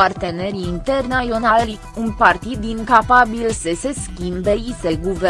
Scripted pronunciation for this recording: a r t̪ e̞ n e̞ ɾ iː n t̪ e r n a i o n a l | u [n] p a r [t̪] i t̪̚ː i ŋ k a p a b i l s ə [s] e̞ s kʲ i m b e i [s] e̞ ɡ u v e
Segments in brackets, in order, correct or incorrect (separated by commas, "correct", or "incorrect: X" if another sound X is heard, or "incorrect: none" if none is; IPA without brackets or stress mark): correct, correct, correct, correct